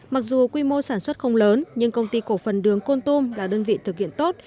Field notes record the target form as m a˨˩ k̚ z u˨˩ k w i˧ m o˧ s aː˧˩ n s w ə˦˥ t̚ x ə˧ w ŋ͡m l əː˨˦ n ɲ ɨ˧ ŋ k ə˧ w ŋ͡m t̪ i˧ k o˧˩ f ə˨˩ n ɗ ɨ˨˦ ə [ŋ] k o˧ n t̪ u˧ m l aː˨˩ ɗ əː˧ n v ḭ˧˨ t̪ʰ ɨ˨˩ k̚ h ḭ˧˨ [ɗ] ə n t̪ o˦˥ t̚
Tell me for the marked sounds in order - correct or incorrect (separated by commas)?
correct, incorrect